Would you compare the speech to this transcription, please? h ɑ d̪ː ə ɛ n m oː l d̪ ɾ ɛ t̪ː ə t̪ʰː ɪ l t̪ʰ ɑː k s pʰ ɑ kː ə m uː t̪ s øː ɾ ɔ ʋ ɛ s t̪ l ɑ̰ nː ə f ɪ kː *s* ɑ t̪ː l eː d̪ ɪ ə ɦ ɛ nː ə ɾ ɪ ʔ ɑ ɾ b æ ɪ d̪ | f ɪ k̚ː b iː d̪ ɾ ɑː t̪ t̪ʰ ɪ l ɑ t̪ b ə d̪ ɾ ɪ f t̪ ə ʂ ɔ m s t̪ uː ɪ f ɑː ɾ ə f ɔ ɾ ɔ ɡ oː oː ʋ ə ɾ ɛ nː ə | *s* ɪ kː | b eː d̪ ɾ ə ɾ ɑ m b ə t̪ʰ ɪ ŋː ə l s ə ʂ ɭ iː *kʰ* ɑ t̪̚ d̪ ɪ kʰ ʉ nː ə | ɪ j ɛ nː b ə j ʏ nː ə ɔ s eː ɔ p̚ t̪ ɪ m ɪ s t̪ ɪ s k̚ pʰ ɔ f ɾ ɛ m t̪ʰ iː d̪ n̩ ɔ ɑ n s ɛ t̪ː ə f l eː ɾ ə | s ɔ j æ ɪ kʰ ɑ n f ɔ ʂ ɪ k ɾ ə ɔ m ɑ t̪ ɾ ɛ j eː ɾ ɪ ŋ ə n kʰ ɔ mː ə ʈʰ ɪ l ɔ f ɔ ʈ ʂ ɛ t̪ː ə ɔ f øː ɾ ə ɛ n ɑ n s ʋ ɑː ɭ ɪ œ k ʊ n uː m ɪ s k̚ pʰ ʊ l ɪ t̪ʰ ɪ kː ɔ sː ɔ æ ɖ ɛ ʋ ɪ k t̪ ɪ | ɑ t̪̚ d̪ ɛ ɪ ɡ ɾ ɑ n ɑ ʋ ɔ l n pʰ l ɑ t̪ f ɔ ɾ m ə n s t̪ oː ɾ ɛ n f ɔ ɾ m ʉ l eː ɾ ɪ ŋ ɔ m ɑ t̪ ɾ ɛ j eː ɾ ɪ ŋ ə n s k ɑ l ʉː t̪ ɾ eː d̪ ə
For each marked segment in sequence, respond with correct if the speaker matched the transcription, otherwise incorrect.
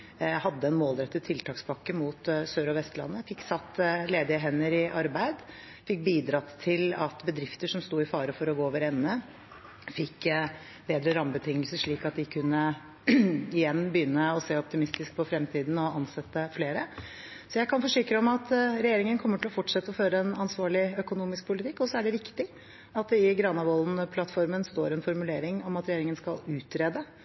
correct, incorrect, incorrect

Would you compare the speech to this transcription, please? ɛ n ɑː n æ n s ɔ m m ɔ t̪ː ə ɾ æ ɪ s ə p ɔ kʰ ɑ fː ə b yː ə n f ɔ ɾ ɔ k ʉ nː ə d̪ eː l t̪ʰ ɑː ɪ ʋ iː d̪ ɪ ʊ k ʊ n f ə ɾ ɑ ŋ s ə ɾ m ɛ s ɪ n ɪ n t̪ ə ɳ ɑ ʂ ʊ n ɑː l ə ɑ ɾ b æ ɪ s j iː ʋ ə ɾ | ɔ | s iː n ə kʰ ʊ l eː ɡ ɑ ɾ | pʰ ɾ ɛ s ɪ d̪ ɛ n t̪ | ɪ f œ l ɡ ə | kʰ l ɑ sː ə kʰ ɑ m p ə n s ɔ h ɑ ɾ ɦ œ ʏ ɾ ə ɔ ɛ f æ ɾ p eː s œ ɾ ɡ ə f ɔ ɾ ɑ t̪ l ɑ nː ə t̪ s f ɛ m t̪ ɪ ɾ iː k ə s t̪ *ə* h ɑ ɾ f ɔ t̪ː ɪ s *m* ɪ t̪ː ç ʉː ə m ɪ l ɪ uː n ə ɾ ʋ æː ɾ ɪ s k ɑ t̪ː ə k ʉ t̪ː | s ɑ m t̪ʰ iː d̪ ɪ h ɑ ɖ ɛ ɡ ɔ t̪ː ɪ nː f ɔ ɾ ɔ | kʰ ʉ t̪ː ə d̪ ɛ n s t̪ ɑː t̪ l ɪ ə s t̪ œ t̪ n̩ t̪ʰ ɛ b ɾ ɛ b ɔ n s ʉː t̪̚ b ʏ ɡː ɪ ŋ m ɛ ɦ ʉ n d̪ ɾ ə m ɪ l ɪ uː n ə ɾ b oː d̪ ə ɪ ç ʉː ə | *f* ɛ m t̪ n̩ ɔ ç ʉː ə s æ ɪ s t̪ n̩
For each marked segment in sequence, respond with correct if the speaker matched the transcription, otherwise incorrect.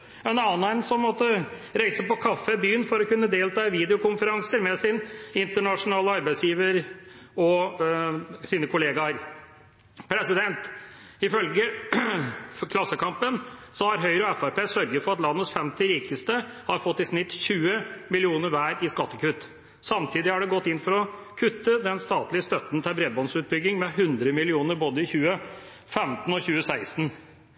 correct, incorrect, correct

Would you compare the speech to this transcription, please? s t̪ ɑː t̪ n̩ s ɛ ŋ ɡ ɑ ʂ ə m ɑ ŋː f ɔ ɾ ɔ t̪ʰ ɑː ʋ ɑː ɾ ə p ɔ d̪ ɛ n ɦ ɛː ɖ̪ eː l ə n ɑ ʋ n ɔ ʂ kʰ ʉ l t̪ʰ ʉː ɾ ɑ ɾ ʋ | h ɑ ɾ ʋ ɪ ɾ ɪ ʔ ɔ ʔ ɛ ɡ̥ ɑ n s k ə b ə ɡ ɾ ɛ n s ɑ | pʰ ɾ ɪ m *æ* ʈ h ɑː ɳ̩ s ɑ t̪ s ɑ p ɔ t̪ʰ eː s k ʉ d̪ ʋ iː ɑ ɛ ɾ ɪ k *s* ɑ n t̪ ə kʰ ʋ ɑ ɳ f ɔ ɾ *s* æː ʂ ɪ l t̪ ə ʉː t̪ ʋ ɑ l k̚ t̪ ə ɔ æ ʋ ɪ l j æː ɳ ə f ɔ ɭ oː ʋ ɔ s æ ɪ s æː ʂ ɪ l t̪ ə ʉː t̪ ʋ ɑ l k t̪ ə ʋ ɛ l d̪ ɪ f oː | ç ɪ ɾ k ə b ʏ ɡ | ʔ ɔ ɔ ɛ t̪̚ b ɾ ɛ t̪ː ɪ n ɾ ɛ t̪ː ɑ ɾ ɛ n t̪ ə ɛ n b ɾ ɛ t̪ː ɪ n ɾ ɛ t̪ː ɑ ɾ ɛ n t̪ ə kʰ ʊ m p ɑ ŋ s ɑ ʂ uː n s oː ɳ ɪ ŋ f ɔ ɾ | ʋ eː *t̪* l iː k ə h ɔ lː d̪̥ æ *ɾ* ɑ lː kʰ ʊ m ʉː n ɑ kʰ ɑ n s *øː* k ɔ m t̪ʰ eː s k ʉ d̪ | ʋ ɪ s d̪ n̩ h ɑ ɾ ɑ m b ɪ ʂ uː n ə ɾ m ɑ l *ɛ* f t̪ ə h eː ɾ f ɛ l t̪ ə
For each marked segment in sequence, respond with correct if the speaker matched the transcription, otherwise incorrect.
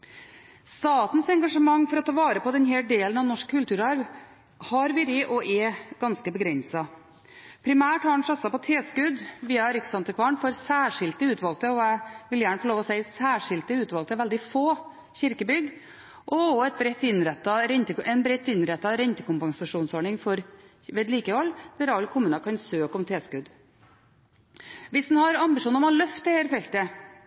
incorrect, correct, correct, incorrect, correct, correct, incorrect

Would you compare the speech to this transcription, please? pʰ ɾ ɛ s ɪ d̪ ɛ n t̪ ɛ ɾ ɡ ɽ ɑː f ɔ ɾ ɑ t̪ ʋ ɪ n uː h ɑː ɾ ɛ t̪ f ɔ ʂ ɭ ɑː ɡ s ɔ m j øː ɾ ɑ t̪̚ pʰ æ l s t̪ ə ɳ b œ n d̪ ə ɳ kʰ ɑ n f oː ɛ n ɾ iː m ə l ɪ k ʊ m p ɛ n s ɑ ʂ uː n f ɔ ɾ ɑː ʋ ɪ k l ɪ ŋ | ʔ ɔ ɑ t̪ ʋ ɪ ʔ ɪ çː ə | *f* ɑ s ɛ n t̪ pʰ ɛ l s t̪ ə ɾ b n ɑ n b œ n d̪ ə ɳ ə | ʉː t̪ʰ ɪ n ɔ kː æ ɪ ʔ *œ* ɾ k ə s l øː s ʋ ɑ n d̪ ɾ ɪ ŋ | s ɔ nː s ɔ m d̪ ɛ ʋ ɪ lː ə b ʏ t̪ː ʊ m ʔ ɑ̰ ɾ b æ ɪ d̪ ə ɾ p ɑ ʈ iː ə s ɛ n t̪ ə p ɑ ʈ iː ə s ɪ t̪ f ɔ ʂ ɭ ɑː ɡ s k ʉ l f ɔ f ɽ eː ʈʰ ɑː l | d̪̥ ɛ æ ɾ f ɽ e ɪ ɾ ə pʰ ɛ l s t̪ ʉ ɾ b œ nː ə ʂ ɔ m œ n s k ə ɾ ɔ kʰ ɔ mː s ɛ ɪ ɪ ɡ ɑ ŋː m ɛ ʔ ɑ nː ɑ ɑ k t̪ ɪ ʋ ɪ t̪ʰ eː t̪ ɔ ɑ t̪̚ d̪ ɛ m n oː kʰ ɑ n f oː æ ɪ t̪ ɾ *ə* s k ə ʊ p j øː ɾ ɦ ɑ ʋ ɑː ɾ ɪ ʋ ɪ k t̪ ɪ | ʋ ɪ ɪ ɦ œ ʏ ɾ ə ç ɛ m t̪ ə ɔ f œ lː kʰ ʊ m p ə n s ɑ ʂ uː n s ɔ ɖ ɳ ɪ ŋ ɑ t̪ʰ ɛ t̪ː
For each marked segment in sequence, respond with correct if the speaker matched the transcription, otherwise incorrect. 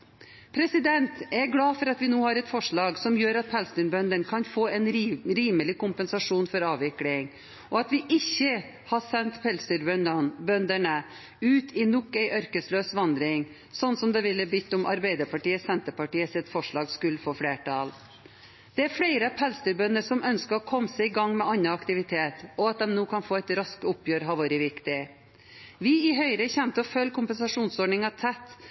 incorrect, correct, incorrect

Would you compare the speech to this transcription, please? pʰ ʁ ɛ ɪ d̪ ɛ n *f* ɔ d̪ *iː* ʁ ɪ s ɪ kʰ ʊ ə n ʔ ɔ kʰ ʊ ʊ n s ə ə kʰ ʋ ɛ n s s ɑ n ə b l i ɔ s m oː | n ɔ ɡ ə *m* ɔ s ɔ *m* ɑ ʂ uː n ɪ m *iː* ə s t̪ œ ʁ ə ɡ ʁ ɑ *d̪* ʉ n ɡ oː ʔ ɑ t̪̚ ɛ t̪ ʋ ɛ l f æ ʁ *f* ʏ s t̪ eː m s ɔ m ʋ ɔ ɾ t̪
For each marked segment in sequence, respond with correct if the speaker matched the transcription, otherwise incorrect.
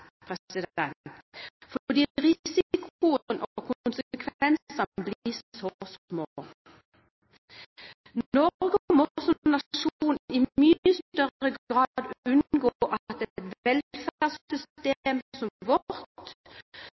correct, correct, correct, incorrect, incorrect, correct, incorrect

